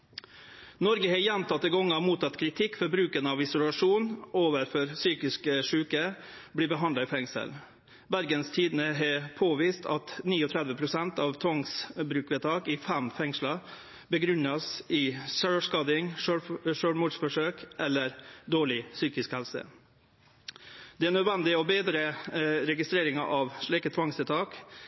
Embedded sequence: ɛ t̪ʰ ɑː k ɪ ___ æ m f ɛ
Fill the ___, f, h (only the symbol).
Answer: f